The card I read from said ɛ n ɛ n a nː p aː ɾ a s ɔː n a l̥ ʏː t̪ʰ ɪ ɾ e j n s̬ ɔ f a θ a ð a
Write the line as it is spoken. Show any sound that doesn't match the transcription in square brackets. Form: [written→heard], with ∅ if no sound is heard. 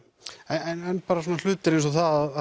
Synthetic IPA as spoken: ɛ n ɛ n [a→ɛ] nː p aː ɾ a s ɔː n a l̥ ʏː [t̪ʰ→t̪] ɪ ɾ e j n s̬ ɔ [f→θ] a [θ→ð] a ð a